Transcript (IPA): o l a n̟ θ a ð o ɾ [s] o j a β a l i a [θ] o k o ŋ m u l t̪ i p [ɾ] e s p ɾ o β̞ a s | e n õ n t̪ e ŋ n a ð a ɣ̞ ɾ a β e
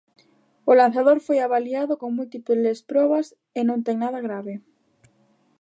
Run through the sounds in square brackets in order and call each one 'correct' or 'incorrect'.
incorrect: f, incorrect: ð, incorrect: l

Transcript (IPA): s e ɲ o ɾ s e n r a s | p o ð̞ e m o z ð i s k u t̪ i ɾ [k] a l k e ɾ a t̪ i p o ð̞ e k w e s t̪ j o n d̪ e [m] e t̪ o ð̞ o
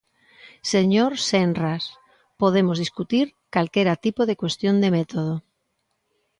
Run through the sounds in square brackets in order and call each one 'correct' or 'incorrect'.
correct, correct

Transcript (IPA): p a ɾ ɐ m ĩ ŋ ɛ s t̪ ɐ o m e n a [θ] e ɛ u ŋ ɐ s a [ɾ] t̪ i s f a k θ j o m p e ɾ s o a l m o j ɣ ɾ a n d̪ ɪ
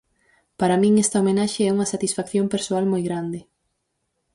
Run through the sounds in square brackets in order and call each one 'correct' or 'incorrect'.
incorrect: ʃ, incorrect: none

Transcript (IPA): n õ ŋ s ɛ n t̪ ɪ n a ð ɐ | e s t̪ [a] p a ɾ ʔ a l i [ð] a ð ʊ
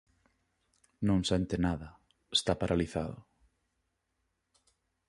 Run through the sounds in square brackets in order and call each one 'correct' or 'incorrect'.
correct, incorrect: θ

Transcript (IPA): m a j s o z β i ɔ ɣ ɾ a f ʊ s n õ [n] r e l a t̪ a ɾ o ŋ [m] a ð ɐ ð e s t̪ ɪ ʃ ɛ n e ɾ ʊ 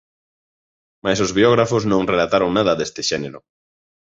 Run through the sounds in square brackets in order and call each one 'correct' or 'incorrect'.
incorrect: ŋ, incorrect: n

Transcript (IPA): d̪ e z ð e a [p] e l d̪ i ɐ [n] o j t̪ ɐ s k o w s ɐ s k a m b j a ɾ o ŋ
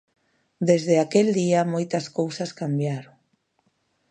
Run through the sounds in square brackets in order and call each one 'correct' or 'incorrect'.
incorrect: k, incorrect: m

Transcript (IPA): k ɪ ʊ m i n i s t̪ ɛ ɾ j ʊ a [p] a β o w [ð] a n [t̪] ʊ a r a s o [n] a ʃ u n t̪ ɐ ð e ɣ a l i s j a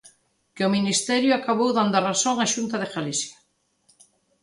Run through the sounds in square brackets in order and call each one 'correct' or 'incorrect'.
incorrect: k, correct, incorrect: d̪, incorrect: ŋ

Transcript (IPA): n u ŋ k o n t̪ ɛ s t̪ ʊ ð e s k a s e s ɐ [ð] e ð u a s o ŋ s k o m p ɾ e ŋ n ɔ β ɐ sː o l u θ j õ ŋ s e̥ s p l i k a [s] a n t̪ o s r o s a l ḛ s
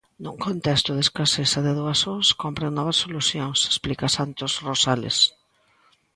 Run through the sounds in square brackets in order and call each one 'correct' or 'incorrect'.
correct, correct

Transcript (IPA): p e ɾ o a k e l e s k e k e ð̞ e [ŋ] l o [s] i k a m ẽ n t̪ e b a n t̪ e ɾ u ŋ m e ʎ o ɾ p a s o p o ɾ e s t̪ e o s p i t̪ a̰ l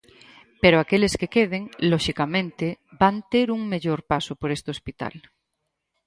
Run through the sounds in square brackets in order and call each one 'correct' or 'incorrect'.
correct, incorrect: ʃ

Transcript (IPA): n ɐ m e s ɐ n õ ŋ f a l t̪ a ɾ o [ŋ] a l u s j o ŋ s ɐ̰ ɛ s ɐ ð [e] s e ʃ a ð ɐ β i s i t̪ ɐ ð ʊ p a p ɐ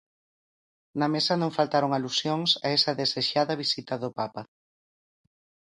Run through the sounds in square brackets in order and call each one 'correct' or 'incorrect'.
correct, correct

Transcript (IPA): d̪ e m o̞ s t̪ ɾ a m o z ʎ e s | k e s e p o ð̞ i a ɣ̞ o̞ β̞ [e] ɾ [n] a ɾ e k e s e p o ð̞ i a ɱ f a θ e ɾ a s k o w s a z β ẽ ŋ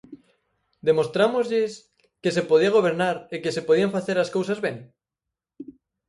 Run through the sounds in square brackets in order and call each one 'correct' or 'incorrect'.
correct, correct

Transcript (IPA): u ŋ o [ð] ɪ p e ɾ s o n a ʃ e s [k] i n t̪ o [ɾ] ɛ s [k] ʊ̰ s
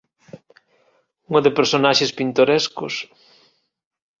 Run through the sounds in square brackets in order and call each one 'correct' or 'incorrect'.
correct, incorrect: p, correct, correct

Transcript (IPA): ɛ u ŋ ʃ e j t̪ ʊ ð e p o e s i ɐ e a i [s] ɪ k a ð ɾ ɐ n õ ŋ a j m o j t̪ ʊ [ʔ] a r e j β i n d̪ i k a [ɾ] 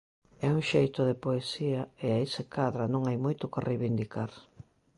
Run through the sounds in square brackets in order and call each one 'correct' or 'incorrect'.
correct, incorrect: k, correct

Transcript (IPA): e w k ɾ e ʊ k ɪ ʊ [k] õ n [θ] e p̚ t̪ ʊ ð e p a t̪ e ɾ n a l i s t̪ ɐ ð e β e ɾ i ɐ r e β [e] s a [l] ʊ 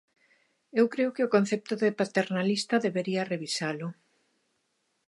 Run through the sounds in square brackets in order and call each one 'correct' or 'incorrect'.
correct, correct, incorrect: i, correct

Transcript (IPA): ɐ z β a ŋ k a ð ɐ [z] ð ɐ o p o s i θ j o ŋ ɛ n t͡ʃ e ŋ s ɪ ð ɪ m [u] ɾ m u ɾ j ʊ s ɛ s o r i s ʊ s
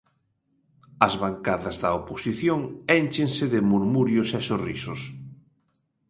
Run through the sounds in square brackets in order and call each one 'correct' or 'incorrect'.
correct, correct

